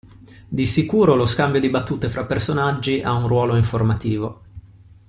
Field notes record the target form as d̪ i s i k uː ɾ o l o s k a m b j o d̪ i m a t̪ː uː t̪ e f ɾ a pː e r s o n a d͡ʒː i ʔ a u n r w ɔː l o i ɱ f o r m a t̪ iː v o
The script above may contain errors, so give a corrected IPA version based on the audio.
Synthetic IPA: d̪ i s i k uː ɾ o l o s k a m b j o d̪ i b a t̪ː uː t̪ e f ɾ a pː e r s o n a d͡ʒː i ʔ a u n r w ɔː l o i ɱ f o r m a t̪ iː v o